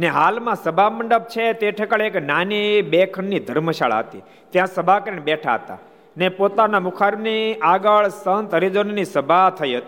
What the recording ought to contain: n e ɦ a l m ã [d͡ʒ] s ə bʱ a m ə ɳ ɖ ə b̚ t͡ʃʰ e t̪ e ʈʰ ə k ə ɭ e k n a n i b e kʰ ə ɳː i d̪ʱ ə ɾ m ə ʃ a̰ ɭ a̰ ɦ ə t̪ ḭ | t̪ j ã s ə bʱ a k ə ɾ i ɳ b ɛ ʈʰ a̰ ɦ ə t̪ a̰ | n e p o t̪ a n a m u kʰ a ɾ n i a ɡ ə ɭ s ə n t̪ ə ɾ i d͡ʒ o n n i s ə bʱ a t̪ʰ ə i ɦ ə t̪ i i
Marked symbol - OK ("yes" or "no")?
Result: no